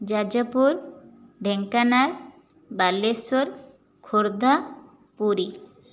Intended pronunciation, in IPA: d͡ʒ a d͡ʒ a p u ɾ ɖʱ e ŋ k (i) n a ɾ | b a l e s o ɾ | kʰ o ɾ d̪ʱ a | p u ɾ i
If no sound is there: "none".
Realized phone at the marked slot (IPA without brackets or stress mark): a